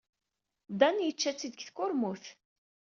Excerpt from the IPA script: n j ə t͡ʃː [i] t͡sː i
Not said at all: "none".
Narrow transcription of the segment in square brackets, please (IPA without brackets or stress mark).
æ